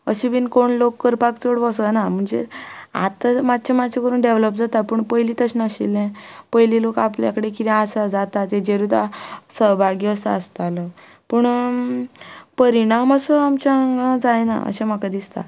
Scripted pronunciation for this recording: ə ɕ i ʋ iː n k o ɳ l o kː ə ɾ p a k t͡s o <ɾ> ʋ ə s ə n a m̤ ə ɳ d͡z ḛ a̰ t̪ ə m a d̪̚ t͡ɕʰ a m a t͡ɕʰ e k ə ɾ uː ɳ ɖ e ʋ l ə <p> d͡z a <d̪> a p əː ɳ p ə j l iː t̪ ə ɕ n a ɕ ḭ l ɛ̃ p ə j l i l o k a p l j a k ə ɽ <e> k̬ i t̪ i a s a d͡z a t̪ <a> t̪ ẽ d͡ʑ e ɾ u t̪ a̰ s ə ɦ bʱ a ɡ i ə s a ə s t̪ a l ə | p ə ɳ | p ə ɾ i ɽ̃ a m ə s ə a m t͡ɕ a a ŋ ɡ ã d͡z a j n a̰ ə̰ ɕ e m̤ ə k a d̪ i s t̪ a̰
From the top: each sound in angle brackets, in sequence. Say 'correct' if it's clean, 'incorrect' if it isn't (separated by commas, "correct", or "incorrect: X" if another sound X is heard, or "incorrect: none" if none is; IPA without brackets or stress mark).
incorrect: ɽ, correct, incorrect: t̪, correct, correct